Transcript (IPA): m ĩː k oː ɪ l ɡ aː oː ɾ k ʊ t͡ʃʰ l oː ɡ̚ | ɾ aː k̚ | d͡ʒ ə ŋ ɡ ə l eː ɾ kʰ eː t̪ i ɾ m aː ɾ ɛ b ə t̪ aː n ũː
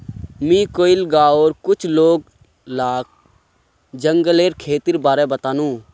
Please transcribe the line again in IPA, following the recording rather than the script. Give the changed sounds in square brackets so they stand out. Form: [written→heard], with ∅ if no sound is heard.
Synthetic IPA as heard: m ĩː k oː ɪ l ɡ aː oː ɾ k ʊ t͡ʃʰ l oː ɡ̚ | [ɾ→l] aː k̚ | d͡ʒ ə ŋ ɡ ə l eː ɾ kʰ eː t̪ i ɾ [m→b] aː ɾ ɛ b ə t̪ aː n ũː